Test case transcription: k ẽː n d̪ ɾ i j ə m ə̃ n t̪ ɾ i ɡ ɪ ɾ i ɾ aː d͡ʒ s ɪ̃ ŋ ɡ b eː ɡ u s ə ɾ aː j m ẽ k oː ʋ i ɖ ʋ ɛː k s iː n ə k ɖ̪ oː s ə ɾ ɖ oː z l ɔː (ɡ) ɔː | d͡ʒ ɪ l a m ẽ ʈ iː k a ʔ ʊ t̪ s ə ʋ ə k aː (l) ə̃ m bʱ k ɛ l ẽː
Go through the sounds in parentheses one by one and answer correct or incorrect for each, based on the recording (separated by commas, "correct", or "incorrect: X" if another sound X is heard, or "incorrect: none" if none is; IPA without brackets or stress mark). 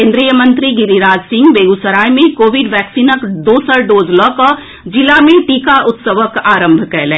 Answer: incorrect: k, incorrect: ɾ